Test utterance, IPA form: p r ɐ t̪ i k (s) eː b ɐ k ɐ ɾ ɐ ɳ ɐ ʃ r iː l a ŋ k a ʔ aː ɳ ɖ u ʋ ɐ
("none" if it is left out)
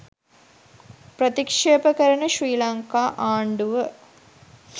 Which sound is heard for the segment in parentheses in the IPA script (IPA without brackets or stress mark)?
ʂ